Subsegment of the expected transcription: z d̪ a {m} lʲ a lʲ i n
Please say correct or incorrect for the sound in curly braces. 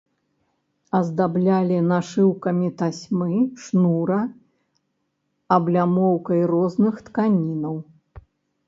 incorrect